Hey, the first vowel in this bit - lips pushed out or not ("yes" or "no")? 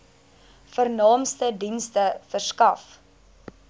no